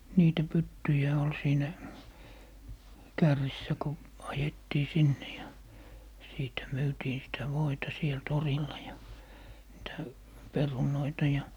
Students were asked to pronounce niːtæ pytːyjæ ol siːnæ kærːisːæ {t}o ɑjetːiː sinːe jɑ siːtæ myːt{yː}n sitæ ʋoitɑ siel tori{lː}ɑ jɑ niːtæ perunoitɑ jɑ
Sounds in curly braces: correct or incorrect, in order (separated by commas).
incorrect, incorrect, correct